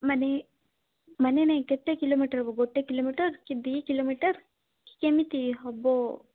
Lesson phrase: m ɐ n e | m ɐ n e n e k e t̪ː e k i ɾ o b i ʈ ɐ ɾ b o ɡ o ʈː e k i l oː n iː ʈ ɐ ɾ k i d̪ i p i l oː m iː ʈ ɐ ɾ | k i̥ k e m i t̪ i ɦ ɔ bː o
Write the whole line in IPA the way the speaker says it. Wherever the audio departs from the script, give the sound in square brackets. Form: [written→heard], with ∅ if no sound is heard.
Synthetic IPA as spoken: m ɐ n e | m ɐ n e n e k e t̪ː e k i [ɾ→l] o [b→m] i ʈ ɐ ɾ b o ɡ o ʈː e k i l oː [n→m] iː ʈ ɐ ɾ k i d̪ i [p→k] i l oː m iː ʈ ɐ ɾ | k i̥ k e m i t̪ i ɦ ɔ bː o

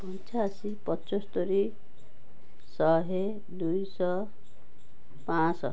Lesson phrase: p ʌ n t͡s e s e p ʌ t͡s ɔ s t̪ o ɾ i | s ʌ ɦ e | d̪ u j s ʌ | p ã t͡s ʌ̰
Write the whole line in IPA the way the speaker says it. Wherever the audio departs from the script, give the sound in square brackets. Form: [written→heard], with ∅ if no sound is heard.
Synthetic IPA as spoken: p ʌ n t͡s [e→a] s [e→i] p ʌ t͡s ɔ s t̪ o ɾ i | s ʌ ɦ e | d̪ u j s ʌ | p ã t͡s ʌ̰

